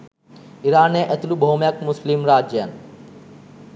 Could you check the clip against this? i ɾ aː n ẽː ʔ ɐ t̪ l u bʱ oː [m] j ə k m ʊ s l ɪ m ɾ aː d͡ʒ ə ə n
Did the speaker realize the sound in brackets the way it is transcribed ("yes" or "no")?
yes